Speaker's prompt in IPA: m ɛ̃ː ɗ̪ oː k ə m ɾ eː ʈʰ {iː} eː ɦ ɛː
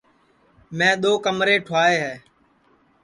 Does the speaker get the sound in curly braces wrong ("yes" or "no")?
yes